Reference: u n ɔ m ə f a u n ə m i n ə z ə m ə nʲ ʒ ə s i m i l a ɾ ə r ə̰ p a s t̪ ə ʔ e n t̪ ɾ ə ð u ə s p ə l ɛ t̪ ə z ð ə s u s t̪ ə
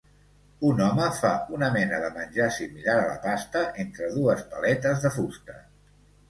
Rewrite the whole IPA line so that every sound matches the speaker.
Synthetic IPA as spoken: u n ɔ m ə f a u n ə m ɛ n ə ð ə m ə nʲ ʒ a s i m i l a ɾ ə l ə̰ p a s t̪ ə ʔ e n t̪ ɾ ə ð u ə s p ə l ɛ t̪ ə z ð ə f u s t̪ ə